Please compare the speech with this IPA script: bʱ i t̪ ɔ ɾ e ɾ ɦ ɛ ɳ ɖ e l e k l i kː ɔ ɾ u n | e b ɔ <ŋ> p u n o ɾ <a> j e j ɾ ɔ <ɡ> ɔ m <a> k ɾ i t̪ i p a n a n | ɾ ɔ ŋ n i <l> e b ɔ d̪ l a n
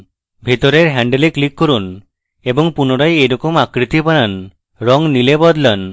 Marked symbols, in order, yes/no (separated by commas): yes, yes, no, yes, yes